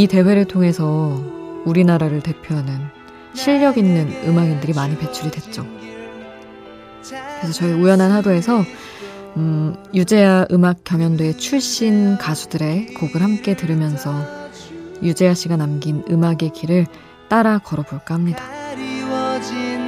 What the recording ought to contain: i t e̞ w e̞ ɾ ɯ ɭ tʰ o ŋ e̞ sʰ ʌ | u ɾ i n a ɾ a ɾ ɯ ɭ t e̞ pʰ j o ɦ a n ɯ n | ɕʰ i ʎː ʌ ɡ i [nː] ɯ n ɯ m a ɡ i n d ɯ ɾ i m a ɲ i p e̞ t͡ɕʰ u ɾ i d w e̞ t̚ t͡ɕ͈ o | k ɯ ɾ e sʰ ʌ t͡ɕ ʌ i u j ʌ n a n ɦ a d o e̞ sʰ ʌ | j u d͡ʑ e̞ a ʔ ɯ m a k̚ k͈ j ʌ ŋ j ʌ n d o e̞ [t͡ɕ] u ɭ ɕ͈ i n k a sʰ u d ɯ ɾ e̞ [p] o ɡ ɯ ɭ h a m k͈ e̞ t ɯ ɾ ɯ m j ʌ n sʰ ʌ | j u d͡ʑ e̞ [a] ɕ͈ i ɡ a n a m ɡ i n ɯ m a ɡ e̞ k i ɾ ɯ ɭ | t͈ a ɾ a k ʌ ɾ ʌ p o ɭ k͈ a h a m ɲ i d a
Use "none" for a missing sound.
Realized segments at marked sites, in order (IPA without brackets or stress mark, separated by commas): nː, t͡ɕʰ, k, a